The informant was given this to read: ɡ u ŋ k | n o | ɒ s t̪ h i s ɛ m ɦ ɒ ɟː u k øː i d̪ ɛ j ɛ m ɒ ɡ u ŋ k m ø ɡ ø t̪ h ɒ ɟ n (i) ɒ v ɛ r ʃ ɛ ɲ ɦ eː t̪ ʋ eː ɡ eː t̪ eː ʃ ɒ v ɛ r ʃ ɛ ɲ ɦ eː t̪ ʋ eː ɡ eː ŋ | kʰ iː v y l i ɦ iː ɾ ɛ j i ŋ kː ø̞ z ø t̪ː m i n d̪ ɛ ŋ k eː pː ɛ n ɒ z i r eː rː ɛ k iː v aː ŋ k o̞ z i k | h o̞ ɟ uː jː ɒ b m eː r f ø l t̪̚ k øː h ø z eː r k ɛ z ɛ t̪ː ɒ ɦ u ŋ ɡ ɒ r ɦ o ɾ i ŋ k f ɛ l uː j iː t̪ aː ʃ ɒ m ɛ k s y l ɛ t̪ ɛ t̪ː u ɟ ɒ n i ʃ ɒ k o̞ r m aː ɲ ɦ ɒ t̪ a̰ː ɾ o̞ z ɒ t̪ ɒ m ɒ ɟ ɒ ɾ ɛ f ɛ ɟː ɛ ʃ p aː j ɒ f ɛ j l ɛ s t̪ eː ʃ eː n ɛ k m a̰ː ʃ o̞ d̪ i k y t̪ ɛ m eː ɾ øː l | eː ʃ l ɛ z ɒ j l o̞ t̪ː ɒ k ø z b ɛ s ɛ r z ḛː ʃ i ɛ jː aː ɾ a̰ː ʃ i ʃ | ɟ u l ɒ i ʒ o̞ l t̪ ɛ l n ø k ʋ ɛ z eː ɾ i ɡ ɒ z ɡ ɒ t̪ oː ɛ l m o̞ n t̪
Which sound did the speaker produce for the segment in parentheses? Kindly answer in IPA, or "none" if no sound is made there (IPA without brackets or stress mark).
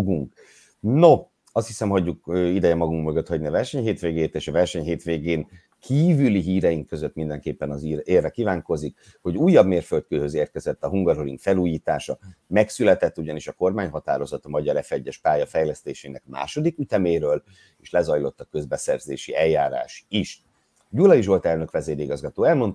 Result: i